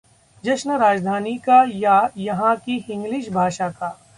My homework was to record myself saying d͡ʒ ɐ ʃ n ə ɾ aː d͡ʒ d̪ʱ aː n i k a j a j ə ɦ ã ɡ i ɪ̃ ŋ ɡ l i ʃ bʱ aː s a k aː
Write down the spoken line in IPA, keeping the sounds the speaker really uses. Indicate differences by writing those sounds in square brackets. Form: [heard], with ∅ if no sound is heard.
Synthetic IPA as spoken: d͡ʒ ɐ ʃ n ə ɾ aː d͡ʒ d̪ʱ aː n i k a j a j [ɐ] ɦ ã [k] i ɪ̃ ŋ ɡ l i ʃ bʱ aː [ʃ] a k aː